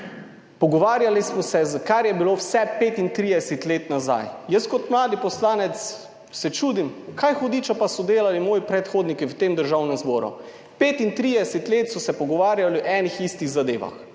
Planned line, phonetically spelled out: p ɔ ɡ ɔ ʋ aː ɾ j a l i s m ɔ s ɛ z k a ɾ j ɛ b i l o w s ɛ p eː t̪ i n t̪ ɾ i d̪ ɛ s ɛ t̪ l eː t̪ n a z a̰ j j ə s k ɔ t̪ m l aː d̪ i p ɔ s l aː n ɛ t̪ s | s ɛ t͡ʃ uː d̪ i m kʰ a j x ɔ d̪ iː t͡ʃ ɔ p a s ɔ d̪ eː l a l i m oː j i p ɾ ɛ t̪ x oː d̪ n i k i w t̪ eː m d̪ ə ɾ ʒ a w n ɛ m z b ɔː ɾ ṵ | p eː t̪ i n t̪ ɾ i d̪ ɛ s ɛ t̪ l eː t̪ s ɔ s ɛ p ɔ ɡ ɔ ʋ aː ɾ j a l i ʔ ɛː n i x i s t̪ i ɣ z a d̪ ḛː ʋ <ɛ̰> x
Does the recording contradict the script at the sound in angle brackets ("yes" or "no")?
yes